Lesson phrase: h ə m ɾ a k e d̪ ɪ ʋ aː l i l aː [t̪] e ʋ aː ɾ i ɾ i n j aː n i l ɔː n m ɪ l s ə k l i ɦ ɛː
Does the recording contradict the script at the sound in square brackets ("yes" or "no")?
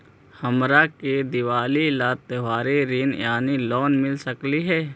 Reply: no